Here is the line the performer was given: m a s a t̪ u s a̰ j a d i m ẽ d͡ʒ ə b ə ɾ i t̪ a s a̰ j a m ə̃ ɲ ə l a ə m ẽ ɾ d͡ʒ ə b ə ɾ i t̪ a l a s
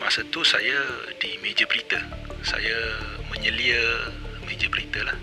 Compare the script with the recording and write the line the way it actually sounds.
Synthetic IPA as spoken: m a s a t̪ u s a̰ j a d i m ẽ d͡ʒ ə b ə ɾ i t̪ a s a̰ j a m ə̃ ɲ ə l i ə m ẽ d͡ʒ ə b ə ɾ i t̪ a l a h